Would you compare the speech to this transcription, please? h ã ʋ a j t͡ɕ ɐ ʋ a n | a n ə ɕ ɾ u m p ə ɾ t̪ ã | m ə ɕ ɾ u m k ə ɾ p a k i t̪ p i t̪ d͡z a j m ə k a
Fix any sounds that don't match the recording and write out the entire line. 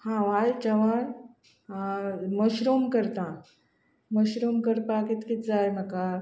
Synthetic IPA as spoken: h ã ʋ a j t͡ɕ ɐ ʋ a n | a m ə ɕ ɾ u m k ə ɾ t̪ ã | m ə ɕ ɾ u m k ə ɾ p a k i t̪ k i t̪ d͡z a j m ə k a